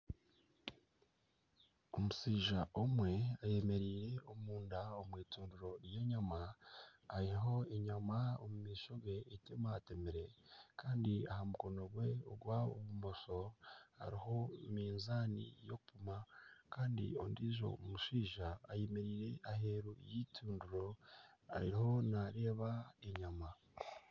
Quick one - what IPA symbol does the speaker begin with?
o̞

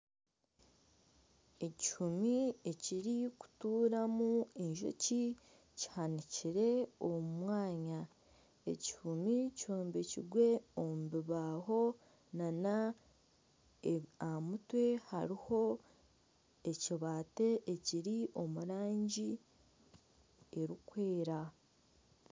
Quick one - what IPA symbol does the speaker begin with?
e̞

